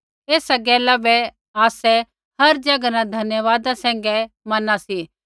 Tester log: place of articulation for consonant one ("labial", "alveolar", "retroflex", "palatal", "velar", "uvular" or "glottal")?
alveolar